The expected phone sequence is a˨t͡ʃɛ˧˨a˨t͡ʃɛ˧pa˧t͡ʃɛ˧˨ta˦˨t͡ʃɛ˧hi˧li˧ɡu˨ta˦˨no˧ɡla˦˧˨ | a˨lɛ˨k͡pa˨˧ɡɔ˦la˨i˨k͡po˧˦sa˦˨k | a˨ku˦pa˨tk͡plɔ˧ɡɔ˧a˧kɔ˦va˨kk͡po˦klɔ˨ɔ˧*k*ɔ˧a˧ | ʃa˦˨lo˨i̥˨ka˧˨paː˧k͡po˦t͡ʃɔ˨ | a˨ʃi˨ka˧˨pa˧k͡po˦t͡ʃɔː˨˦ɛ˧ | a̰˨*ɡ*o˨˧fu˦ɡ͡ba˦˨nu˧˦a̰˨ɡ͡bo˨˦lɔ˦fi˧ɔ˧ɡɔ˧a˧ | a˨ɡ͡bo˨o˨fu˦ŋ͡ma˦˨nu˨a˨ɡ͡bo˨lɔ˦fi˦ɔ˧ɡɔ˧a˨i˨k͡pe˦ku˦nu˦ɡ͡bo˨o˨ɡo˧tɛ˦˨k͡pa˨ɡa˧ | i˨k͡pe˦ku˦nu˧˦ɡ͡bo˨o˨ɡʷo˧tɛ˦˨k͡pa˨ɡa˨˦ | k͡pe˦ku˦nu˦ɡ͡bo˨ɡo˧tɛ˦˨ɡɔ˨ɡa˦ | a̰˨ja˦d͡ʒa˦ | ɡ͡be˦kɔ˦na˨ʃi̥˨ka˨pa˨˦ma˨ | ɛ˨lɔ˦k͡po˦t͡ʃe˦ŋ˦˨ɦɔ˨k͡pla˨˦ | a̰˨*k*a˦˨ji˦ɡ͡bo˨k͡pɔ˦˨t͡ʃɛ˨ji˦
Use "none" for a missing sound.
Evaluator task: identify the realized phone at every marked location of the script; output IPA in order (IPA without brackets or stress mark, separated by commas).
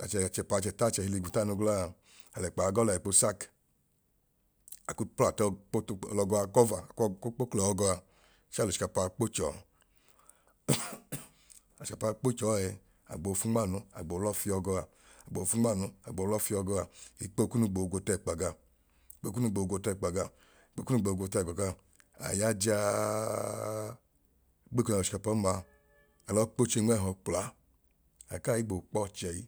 ɡ, ɡ͡b, k